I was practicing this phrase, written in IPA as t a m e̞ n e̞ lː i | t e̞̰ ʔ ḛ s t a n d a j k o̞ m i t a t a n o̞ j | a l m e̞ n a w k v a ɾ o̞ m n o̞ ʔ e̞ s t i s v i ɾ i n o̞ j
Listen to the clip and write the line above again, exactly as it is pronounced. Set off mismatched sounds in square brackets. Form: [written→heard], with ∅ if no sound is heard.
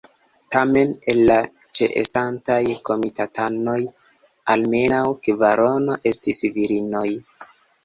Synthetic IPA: t a m e̞ n e̞ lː [i→a] | [t→t͡ʃ] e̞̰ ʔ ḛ s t a n [d→t] a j k o̞ m i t a t a n o̞ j | a l m e̞ n a w k v a ɾ o̞ [m→∅] n o̞ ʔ e̞ s t i s v i ɾ i n o̞ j